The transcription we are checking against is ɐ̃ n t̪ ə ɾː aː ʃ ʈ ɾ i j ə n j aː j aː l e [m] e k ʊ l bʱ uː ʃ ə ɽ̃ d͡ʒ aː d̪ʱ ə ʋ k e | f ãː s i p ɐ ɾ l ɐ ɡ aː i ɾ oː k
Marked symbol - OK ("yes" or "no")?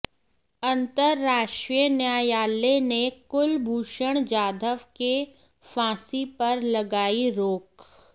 no